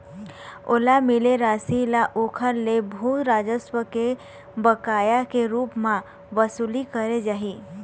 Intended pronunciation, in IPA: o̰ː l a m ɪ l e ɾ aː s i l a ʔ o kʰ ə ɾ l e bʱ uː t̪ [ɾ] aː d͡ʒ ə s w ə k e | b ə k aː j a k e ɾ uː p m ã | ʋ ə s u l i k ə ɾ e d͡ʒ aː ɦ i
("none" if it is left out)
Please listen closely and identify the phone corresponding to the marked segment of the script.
ɾ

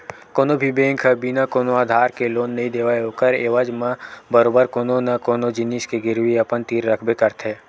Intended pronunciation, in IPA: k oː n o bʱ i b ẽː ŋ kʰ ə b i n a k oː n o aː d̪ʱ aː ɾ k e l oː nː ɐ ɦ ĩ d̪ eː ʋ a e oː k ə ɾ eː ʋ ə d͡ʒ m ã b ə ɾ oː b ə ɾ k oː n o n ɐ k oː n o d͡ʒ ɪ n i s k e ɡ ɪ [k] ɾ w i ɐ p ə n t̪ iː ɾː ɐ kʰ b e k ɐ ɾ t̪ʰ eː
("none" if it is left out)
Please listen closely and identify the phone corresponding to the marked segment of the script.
none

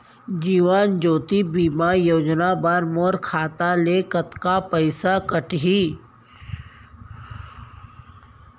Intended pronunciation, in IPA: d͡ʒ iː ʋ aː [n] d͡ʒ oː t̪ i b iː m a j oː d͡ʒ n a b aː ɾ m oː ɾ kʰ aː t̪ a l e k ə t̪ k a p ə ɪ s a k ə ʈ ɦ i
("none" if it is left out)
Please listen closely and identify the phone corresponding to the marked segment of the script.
n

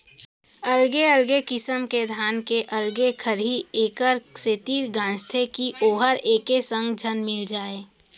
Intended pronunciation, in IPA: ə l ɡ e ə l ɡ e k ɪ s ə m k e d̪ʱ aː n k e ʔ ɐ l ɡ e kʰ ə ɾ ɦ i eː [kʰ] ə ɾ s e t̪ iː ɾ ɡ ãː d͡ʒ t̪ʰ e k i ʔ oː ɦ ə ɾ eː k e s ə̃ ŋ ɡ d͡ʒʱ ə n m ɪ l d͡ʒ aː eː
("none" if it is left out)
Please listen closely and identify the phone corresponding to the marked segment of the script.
k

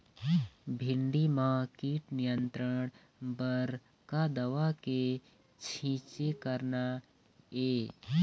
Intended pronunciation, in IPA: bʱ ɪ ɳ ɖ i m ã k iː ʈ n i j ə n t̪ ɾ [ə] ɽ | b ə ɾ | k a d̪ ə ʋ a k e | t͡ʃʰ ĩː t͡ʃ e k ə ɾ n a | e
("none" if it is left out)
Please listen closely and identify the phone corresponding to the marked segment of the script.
ə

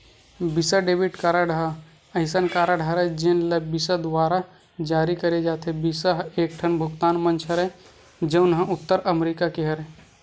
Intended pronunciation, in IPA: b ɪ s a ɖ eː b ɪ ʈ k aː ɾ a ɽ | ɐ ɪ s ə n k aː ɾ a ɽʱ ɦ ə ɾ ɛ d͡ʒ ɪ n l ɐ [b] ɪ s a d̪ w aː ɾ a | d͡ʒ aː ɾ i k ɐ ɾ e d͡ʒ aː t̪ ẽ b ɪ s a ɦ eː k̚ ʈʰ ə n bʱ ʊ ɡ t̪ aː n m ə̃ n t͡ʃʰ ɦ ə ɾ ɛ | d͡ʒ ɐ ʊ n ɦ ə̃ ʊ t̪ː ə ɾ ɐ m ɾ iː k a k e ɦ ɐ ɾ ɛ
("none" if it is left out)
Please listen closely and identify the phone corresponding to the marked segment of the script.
b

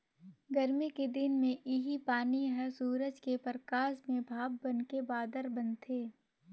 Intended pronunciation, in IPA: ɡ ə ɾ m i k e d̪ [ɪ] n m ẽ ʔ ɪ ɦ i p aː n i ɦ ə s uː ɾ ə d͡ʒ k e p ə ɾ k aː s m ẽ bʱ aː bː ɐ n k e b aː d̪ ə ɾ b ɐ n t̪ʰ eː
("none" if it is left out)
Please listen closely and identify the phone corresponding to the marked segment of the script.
ɪ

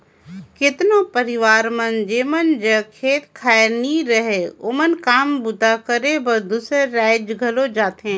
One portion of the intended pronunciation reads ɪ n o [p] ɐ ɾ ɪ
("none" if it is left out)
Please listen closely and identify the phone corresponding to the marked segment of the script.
p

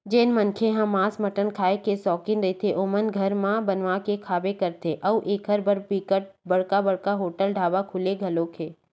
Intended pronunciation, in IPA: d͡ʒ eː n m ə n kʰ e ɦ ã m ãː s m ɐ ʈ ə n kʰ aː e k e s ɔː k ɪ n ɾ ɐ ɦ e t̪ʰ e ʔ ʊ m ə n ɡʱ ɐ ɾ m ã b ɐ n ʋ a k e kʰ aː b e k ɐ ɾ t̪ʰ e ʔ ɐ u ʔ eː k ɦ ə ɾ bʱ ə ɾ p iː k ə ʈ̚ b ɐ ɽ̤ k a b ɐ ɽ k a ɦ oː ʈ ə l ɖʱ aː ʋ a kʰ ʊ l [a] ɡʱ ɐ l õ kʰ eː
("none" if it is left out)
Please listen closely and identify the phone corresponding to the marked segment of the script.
e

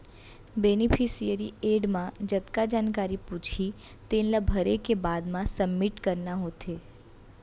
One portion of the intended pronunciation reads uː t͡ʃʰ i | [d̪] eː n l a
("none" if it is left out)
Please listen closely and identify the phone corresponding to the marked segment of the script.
t̪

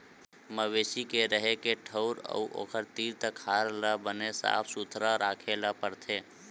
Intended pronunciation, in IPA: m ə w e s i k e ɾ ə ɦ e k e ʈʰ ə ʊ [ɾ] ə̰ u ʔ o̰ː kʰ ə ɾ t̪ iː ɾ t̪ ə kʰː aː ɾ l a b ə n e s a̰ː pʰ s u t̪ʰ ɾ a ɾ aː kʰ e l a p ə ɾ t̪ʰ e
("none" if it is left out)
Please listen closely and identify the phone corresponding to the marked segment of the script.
ɾ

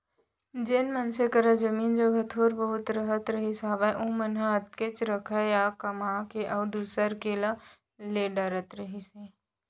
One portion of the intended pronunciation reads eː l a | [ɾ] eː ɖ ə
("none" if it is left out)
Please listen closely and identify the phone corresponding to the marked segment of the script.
l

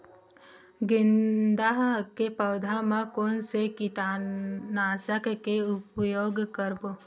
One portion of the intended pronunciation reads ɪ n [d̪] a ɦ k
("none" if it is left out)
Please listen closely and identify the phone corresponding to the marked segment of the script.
d̪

